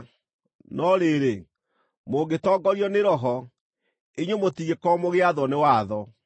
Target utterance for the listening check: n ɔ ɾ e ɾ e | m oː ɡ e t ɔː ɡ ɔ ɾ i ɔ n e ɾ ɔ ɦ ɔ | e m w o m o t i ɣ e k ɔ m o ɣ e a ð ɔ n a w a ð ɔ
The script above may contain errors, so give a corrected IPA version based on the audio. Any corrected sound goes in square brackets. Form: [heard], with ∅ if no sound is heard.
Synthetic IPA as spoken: n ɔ ɾ e ɾ e | m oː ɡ e t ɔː ɡ ɔ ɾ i ɔ n e ɾ ɔ ɦ ɔ | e [ɲ] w o m o t i ɣ e k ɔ m o ɣ e a ð ɔ n [e] w a ð ɔ